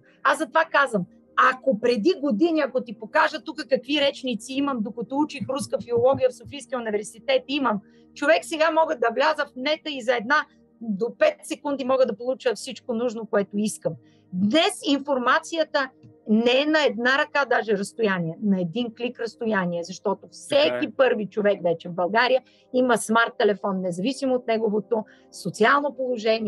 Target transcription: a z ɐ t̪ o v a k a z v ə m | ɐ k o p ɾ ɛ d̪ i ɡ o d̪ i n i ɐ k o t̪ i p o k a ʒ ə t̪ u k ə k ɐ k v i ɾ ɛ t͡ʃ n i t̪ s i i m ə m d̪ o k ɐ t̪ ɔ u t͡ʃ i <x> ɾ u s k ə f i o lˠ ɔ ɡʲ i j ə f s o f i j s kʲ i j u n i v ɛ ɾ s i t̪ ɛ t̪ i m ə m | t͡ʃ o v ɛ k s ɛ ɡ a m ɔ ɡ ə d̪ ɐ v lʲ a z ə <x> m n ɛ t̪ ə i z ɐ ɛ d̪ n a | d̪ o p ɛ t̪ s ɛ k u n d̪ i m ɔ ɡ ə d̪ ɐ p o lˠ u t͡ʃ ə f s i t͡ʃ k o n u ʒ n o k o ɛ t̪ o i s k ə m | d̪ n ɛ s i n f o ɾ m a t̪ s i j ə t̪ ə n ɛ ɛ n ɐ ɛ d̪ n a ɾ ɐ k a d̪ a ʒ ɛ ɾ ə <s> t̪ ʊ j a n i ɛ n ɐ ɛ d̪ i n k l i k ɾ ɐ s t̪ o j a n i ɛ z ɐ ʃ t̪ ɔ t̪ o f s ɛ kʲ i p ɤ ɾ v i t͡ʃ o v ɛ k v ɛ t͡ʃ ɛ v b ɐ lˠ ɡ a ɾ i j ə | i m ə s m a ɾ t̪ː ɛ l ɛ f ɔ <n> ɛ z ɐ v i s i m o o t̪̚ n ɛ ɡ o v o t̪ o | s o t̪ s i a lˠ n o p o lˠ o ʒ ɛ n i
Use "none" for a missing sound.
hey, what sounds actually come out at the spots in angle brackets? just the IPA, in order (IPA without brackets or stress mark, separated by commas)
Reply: x, f, s, nː